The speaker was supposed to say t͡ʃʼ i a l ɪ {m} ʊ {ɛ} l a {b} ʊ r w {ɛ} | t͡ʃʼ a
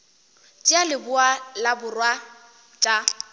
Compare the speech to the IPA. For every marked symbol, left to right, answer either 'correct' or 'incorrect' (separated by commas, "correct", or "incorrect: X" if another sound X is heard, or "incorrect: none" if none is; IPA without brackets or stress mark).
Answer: incorrect: b, incorrect: a, correct, incorrect: a